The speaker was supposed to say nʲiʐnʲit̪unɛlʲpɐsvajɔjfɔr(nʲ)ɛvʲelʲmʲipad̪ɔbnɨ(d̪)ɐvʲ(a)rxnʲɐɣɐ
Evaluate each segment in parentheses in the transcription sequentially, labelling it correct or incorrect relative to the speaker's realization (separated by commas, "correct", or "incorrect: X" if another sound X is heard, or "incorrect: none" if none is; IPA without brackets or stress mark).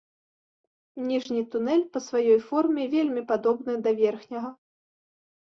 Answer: incorrect: mʲ, correct, incorrect: ɛ